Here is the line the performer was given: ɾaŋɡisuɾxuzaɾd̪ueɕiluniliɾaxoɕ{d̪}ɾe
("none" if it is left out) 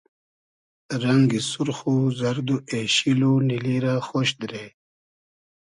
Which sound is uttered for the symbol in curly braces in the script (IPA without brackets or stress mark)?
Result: d̪